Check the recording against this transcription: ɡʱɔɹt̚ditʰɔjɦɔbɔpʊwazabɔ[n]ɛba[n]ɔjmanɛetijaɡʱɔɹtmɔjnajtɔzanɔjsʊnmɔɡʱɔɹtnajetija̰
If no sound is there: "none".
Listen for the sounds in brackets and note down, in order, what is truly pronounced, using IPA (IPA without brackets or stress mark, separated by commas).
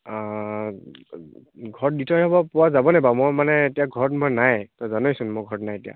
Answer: n, m